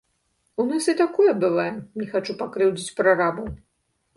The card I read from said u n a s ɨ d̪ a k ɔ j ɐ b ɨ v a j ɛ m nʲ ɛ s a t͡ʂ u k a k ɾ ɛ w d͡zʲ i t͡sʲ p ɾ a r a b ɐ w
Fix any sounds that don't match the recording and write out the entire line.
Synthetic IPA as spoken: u n a s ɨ t̪ a k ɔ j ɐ b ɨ v a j ɛ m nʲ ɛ x a t͡ʂ u p a k ɾ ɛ w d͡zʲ i t͡sʲ p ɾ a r a b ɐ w